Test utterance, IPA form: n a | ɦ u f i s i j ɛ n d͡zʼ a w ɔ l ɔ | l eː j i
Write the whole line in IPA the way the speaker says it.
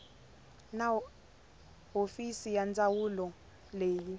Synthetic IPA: n a | ɦ o f i s i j a n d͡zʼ a w u l ɔ | l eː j i